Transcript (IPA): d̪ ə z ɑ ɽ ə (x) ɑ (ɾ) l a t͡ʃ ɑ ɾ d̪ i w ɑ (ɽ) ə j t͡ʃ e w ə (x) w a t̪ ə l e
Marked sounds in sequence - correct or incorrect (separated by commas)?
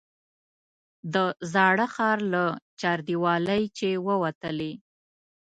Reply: correct, correct, incorrect, incorrect